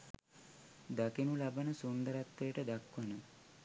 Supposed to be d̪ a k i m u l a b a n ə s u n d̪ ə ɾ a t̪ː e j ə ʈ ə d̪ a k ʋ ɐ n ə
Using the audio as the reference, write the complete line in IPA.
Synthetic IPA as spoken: d̪ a k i n u l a b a n ə s u n d̪ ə ɾ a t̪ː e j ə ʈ ə d̪ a k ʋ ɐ n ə